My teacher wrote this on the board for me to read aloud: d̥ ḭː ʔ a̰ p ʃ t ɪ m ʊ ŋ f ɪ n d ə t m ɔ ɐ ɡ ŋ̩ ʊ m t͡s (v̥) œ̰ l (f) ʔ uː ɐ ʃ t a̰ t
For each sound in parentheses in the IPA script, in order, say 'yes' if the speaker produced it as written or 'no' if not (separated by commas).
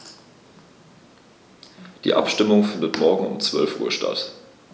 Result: yes, yes